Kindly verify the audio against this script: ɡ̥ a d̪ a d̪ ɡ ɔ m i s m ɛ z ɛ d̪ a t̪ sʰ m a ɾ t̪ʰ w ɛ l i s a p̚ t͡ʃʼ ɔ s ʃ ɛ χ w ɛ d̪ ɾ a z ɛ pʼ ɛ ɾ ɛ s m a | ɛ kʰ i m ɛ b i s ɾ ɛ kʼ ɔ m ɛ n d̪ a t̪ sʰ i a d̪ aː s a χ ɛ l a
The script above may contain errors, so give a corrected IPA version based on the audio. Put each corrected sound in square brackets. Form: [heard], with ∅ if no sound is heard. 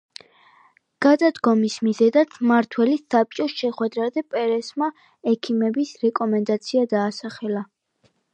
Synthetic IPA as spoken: ɡ̥ a d̪ a d̪ ɡ ɔ m i s m [i] z ɛ d̪ a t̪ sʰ m a ɾ t̪ʰ w ɛ l i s a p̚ t͡ʃʼ ɔ s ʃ ɛ χ w ɛ d̪ ɾ a z ɛ pʼ ɛ ɾ ɛ s m a | ɛ kʰ i m ɛ b i s ɾ ɛ kʼ ɔ m ɛ n d̪ a t̪ sʰ i a d̪ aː s a χ ɛ l a